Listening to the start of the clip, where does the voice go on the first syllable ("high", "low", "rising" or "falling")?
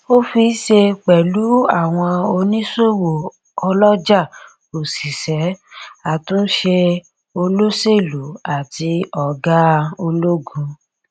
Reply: high